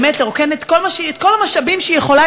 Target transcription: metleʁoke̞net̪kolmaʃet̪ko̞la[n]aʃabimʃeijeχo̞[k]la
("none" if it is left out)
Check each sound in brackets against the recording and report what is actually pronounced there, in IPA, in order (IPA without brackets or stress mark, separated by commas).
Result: m, none